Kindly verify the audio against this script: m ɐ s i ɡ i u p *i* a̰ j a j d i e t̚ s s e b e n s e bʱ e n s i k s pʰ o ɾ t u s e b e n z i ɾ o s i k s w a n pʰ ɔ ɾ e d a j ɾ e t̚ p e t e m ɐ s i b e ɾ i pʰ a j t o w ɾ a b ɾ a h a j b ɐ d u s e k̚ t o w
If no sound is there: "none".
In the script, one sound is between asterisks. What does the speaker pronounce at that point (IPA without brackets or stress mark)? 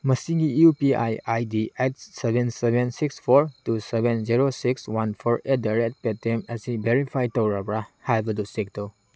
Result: i